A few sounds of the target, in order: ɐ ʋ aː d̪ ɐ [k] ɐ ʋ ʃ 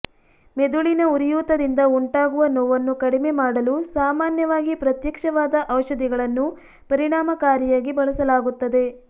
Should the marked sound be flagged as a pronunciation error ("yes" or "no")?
yes